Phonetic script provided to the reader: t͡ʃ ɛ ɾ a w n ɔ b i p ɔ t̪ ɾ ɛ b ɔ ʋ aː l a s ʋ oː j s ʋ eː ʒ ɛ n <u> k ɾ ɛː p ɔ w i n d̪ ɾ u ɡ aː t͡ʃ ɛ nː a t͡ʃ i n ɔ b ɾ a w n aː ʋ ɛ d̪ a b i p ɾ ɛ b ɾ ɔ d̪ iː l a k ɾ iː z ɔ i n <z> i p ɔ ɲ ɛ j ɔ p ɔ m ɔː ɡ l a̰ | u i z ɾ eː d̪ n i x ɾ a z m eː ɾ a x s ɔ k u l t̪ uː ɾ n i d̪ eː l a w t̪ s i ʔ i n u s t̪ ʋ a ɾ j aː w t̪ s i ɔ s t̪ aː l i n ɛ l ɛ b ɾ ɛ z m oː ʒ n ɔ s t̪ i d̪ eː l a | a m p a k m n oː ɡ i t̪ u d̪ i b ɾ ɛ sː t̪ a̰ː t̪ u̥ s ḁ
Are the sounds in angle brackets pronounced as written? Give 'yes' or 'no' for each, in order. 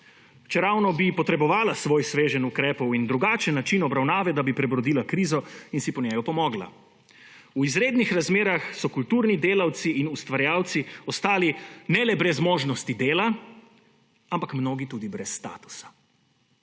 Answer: yes, no

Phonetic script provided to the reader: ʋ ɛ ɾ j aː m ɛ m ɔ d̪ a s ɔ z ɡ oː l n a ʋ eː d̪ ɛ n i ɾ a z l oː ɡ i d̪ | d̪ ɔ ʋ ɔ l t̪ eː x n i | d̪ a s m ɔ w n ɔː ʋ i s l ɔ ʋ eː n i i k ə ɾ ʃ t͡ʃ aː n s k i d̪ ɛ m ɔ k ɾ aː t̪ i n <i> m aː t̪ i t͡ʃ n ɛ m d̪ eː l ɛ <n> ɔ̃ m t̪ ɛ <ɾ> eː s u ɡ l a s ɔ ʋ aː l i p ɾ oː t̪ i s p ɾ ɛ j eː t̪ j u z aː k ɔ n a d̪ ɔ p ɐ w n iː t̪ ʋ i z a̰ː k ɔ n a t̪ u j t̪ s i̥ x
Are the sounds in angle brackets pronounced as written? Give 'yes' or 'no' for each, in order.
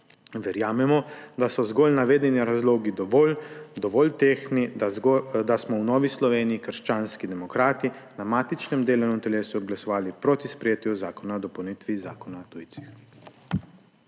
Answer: no, yes, no

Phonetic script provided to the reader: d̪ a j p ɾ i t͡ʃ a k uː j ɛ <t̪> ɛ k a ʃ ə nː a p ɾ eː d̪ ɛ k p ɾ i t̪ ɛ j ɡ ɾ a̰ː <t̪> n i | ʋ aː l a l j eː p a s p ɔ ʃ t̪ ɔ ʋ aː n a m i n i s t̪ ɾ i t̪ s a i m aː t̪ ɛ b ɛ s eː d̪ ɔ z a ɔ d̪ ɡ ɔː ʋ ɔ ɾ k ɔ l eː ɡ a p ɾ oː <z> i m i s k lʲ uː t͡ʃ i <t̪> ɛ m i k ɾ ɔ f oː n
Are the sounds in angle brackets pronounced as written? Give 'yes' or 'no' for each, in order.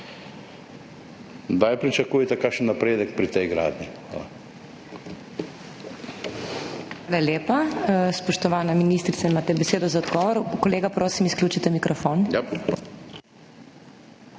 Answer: yes, no, no, yes

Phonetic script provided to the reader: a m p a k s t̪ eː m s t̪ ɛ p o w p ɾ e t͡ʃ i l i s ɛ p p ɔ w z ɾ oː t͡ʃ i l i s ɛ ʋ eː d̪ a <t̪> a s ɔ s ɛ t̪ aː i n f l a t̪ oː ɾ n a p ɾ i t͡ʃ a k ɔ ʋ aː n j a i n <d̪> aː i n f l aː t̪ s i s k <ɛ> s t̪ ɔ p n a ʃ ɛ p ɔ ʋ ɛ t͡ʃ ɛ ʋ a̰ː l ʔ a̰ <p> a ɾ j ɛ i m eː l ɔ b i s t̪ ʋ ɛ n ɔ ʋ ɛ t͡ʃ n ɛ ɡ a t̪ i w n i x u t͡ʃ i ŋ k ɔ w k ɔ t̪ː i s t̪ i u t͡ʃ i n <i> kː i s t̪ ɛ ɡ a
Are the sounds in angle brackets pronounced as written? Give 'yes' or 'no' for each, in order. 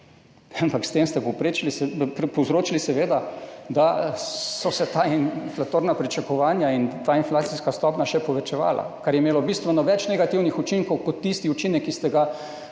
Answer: no, no, no, no, no

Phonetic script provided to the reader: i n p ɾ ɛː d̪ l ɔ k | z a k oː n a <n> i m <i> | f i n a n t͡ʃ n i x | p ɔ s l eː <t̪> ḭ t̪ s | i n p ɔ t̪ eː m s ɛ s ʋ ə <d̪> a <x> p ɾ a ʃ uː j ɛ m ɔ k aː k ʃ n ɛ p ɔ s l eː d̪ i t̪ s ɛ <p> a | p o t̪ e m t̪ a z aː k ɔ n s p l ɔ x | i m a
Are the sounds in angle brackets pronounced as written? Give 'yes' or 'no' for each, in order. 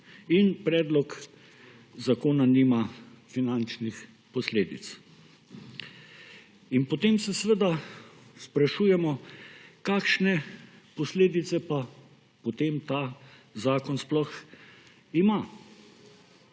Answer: yes, no, no, yes, no, yes

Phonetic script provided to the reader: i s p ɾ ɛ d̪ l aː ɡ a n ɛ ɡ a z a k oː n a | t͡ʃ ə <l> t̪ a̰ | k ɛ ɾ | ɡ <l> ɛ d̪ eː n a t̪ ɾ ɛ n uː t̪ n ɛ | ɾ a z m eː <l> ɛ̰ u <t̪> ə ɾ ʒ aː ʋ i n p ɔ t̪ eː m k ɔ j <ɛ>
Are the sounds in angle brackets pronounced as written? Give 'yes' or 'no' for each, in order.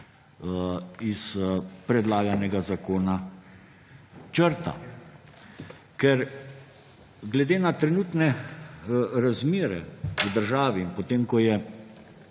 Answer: no, yes, no, no, yes

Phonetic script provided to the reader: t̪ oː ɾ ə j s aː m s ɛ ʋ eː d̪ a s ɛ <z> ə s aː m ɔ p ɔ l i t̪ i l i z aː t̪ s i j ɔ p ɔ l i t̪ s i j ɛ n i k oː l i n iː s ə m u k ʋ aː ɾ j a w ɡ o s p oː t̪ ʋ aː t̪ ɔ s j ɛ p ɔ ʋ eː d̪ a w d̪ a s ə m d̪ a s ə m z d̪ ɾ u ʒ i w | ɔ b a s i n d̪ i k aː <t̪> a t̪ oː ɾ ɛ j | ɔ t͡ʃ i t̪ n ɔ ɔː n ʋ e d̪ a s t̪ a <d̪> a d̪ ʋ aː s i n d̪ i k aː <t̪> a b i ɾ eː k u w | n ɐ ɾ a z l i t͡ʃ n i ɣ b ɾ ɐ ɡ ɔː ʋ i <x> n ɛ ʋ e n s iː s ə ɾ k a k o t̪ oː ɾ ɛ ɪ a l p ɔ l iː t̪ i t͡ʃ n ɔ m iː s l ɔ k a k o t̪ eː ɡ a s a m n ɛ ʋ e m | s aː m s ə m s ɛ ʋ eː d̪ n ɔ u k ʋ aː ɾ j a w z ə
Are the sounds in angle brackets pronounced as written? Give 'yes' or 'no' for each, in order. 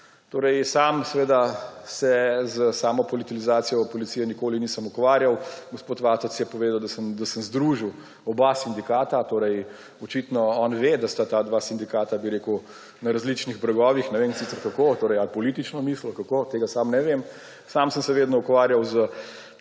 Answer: yes, yes, no, yes, yes

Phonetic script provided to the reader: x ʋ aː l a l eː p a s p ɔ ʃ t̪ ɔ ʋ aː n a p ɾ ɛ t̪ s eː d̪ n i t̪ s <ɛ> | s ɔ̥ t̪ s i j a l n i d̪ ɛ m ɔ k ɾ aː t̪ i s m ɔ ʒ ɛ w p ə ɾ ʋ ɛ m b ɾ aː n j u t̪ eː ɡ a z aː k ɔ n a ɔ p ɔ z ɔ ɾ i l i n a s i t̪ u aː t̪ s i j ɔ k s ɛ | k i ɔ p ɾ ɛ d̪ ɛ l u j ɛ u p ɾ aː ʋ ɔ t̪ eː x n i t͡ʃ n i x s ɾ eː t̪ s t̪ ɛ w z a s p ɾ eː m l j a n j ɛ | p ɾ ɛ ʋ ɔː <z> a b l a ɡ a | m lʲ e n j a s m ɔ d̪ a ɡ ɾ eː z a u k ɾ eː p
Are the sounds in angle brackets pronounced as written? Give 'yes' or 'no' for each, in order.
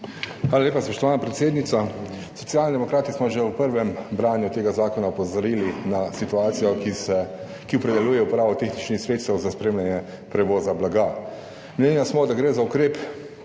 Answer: no, yes

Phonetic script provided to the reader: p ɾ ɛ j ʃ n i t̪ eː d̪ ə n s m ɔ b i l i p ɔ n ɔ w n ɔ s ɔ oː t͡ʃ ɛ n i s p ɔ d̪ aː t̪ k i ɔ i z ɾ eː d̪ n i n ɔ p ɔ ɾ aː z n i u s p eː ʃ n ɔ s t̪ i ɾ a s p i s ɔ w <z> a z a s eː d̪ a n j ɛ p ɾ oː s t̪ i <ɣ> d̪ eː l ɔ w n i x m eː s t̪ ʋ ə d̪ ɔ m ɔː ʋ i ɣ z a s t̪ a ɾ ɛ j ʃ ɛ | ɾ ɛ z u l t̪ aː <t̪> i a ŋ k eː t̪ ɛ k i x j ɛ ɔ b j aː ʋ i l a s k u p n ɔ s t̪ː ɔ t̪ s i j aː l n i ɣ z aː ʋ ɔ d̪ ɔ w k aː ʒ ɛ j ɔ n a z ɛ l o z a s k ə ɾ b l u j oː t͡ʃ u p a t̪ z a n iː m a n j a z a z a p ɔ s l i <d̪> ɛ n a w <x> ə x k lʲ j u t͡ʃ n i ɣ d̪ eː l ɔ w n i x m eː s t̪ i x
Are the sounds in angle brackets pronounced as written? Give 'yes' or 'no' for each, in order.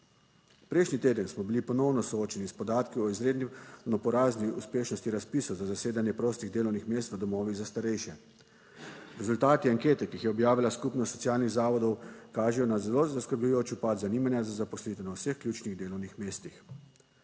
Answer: yes, yes, yes, no, no

